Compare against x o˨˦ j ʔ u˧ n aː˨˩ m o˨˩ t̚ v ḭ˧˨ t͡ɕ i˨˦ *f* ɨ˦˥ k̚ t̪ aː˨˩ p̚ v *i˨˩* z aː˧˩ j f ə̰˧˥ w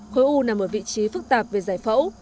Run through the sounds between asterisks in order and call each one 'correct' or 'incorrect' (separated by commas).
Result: correct, incorrect